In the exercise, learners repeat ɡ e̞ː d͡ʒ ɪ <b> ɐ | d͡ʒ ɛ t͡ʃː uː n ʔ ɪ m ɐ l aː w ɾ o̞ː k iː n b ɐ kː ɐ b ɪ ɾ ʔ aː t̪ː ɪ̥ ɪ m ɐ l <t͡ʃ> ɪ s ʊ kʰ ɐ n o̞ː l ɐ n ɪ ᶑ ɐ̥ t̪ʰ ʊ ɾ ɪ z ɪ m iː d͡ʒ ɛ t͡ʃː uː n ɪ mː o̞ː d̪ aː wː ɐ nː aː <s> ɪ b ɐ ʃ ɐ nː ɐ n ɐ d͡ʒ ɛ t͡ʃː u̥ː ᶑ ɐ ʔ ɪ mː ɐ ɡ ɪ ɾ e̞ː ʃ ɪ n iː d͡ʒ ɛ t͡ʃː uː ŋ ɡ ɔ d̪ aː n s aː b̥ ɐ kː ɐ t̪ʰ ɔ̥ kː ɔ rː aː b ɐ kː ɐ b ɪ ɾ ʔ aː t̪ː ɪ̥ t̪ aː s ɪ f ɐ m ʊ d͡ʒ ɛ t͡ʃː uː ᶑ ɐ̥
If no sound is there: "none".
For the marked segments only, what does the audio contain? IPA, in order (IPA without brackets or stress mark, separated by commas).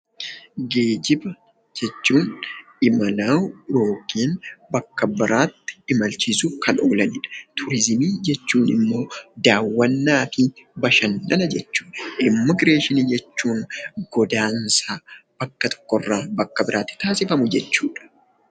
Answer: b, t͡ʃ, f